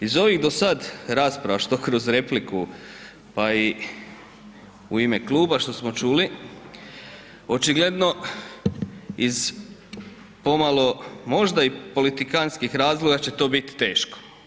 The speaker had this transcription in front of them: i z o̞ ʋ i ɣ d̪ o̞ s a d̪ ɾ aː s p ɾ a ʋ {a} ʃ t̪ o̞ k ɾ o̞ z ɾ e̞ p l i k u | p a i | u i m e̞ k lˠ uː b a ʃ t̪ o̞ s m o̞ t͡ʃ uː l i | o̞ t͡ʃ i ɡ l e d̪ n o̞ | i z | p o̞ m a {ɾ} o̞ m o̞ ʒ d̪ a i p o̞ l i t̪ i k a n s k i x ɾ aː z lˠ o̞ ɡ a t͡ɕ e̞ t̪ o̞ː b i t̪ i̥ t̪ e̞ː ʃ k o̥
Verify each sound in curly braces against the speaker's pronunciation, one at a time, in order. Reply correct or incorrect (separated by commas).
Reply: correct, incorrect